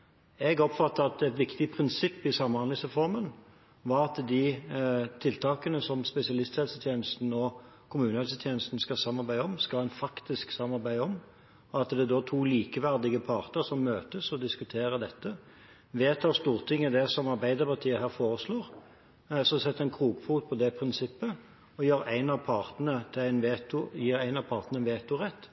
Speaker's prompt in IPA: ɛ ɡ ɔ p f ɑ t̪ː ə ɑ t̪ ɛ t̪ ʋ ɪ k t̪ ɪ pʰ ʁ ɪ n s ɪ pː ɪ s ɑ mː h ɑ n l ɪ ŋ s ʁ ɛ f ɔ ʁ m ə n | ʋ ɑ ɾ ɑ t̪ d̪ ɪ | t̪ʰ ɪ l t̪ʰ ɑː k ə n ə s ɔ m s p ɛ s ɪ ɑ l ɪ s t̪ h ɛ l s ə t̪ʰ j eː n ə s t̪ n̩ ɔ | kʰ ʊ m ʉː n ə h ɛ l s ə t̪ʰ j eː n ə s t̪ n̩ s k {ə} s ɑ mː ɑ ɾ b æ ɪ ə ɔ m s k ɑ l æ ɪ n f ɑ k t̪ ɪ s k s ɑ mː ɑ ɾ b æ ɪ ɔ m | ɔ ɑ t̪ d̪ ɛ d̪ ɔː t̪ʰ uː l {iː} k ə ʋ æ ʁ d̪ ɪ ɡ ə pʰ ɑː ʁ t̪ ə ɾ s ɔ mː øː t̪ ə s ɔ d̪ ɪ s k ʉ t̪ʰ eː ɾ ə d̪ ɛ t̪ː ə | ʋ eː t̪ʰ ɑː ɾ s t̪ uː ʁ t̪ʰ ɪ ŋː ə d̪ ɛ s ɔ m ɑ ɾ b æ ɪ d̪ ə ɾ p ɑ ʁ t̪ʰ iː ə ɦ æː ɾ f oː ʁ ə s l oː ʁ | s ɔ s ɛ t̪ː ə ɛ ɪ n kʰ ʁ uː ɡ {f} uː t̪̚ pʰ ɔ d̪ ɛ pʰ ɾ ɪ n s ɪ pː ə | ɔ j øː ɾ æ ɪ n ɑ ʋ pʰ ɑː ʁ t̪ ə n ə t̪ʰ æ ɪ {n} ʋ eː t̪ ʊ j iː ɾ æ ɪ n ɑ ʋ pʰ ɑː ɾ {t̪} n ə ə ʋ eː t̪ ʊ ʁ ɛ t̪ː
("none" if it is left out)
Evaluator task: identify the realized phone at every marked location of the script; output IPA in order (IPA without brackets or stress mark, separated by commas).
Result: ɑ, iː, f, n, t̪